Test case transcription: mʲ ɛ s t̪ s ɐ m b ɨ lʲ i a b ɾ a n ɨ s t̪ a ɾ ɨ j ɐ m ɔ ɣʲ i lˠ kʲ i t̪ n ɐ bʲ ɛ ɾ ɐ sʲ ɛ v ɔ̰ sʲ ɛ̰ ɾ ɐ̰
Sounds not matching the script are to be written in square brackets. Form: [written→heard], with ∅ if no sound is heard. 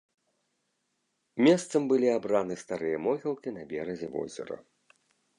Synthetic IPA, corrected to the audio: mʲ ɛ s t̪ s ɐ m b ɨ lʲ i a b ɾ a n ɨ s t̪ a ɾ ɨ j ɐ m ɔ ɣʲ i lˠ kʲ i [t̪→∅] n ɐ bʲ ɛ ɾ ɐ [sʲ→zʲ] ɛ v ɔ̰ [sʲ→zʲ] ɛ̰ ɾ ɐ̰